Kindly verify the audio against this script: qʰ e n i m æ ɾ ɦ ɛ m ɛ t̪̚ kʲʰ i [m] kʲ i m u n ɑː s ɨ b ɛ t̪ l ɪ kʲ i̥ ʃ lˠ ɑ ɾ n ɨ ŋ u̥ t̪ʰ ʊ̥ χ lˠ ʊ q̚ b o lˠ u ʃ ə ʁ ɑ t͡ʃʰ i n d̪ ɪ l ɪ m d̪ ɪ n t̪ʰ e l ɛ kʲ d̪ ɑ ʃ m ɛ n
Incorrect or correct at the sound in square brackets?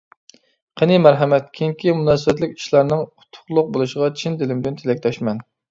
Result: incorrect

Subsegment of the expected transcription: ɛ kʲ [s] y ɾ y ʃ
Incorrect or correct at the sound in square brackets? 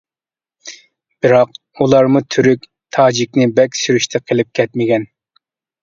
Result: correct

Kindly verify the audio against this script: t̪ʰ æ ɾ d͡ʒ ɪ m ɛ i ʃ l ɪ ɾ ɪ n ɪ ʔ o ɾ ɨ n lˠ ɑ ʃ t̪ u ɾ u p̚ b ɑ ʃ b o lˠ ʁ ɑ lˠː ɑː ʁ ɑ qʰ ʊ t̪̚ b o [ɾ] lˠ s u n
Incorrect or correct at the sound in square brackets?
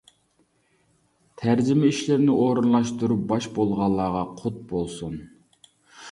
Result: incorrect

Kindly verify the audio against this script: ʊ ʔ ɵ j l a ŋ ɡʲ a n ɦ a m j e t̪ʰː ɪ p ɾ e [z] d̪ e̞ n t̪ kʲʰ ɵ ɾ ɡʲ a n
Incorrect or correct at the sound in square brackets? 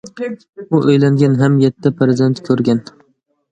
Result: correct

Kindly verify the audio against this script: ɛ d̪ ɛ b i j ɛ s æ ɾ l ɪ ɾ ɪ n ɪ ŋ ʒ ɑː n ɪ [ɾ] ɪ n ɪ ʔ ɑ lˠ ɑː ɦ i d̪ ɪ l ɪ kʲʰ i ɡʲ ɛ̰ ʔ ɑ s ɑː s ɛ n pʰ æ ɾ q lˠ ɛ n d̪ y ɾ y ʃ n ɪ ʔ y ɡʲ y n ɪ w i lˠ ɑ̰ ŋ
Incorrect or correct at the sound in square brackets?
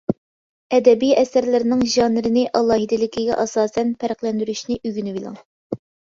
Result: correct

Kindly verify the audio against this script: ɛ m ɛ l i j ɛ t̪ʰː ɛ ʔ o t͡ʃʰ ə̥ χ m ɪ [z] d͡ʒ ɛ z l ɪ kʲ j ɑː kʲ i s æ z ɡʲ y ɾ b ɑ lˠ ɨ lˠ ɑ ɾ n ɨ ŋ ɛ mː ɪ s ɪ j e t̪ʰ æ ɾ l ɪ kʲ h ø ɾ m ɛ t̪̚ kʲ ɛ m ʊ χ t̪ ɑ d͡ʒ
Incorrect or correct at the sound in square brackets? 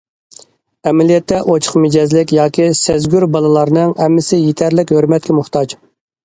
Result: incorrect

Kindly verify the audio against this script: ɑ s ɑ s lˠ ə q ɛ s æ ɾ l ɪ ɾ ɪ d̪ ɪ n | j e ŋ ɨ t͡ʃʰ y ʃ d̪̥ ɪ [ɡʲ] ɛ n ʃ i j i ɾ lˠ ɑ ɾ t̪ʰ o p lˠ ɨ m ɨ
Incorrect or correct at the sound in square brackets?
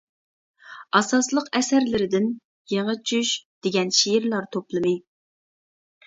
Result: correct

